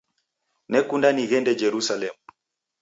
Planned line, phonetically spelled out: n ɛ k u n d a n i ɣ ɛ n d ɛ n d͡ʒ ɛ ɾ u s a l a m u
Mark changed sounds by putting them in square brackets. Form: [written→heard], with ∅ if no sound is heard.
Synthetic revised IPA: n ɛ k u n d a n i ɣ ɛ n d ɛ [n→∅] d͡ʒ ɛ ɾ u s a l [a→ɛ] m u